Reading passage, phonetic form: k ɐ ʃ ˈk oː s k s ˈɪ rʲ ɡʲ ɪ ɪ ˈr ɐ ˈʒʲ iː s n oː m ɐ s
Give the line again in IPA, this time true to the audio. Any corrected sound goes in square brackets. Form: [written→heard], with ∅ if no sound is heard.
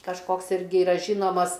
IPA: k ɐ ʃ ˈk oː [s→∅] k s ˈɪ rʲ ɡʲ ɪ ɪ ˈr ɐ ˈʒʲ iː [s→∅] n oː m ɐ s